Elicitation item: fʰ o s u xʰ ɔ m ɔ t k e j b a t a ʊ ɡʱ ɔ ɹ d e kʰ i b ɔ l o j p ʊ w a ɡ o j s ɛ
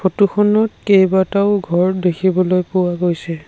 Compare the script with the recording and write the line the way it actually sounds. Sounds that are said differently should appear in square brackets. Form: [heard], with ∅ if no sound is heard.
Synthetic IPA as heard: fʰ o [t] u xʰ ɔ [n] ɔ t k e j b a t a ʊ ɡʱ ɔ ɹ d e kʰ i b ɔ l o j p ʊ w a ɡ o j s ɛ